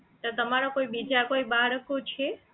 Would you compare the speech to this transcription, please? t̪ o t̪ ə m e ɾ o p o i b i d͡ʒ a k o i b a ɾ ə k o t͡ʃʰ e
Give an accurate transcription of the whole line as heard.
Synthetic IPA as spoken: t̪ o t̪ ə m a ɾ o k o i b i d͡ʒ a k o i b a ɾ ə k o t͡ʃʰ e